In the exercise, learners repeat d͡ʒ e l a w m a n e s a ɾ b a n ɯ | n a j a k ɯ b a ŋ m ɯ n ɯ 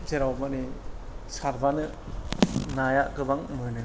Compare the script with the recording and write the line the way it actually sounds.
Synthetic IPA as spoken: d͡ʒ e ɾ a w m a n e s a ɾ b a n ɯ | n a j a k ɯ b a ŋ m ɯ n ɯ

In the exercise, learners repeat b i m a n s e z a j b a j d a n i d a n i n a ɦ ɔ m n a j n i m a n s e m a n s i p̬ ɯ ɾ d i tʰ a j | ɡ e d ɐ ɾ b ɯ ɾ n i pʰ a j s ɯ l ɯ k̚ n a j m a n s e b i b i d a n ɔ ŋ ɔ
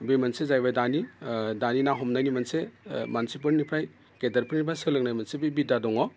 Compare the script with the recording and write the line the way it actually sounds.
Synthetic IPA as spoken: b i m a n s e z a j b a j d a n i d a n i n a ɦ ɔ m n a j n i m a n s e m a n s i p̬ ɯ ɾ n i pʰ a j | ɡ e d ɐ ɾ p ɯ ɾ n i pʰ a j s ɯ l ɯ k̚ n a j m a n s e b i b i d a d ɔ ŋ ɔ

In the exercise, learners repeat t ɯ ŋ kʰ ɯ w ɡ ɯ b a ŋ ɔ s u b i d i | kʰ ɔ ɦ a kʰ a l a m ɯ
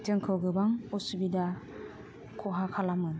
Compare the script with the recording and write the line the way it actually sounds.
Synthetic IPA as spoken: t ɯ ŋ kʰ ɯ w ɡ ɯ b a ŋ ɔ s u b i d a | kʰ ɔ ɦ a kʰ a l a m ɯ

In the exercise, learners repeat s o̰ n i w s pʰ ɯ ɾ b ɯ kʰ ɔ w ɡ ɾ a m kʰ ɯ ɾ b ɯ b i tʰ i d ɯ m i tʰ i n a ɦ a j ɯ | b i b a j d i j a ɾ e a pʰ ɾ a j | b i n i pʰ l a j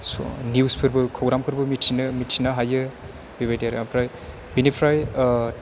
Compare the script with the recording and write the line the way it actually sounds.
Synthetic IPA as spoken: s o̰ n i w s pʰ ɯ ɾ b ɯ kʰ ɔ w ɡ ɾ a m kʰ ɯ ɾ b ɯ m i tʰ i n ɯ m i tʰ i n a ɦ a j ɯ | b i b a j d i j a ɾ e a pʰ ɾ a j | b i n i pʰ ɾ a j

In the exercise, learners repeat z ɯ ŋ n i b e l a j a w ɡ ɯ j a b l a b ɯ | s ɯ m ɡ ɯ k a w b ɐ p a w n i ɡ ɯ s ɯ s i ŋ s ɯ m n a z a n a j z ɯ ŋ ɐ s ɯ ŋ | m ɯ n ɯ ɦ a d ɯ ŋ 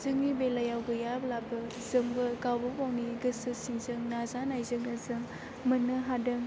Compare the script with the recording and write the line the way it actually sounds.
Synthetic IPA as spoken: z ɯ ŋ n i b e l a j a w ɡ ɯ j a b l a b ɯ | z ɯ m ɡ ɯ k a w b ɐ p a w n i ɡ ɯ s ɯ s i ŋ z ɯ ŋ n a z a n a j z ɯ ŋ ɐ z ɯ ŋ | m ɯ n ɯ ɦ a d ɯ ŋ

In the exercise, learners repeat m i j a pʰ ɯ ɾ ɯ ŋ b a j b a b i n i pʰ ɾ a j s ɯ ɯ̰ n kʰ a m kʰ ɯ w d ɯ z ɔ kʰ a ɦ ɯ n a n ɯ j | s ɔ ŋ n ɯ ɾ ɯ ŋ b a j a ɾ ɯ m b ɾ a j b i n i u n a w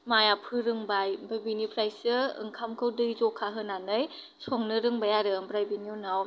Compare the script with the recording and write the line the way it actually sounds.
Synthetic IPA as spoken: m a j a pʰ ɯ ɾ ɯ ŋ b a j b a b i n i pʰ ɾ a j s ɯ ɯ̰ ŋ kʰ a m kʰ ɯ w d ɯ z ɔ kʰ a ɦ ɯ n a n ɯ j | s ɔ ŋ n ɯ ɾ ɯ ŋ b a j a ɾ ɯ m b ɾ a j b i n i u n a w

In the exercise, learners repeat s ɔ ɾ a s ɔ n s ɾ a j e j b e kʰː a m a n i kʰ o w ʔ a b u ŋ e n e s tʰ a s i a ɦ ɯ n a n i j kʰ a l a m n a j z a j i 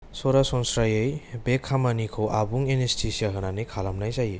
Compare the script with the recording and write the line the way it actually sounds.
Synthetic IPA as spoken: s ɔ ɾ a s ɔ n s ɾ a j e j b e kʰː a m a n i kʰ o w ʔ a b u ŋ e n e s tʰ i s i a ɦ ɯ n a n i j kʰ a l a m n a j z a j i

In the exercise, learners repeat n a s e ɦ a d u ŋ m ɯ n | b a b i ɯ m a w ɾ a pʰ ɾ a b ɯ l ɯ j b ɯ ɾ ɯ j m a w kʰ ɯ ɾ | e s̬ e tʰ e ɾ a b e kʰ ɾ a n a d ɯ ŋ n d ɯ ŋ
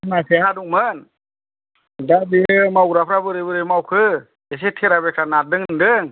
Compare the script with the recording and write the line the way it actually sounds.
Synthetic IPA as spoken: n a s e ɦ a d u ŋ m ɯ n | d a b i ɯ m a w ɾ a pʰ ɾ a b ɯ ɾ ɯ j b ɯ ɾ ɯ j m a w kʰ ɯ | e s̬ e tʰ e ɾ a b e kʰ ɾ a n a d ɯ ŋ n d ɯ ŋ

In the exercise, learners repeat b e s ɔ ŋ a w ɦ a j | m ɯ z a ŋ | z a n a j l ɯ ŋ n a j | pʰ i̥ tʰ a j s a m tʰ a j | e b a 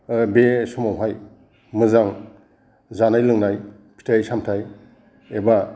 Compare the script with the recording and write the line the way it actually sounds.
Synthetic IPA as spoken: b e s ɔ m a w ɦ a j | m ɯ z a ŋ | z a n a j l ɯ ŋ n a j | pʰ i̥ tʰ a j s a m tʰ a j | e b a

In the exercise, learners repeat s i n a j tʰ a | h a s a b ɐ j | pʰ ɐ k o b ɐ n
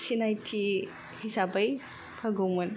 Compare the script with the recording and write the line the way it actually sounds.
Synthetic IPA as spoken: s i n a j tʰ i | h i s a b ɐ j | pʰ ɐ ɡ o m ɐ n

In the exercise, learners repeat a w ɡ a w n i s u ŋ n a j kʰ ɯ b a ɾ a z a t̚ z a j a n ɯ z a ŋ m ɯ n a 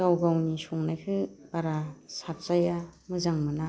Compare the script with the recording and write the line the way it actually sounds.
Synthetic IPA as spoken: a w ɡ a w n i s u ŋ n a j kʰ ɯ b a ɾ a s a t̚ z a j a m ɯ z a ŋ m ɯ n a

